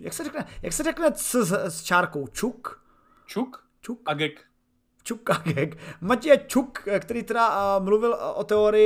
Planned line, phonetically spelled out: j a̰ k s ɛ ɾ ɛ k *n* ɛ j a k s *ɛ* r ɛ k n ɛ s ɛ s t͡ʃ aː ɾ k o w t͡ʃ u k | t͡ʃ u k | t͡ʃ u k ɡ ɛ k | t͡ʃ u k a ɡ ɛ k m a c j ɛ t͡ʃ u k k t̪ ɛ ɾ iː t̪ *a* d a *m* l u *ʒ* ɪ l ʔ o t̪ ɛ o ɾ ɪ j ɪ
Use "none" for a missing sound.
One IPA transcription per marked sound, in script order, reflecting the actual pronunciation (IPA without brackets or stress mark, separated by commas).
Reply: n, ɛ, ɛ, m, v